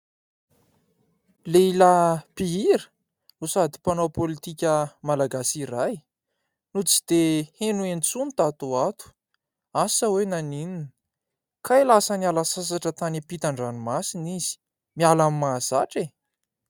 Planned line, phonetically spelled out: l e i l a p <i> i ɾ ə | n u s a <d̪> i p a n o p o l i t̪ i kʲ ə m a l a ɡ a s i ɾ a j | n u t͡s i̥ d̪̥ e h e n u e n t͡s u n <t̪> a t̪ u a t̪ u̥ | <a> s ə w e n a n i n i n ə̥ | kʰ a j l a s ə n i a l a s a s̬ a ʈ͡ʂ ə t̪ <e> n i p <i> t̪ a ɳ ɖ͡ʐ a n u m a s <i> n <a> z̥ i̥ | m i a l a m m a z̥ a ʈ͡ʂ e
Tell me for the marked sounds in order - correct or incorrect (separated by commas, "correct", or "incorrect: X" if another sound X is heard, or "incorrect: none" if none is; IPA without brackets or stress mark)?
correct, correct, correct, correct, incorrect: a, correct, correct, incorrect: i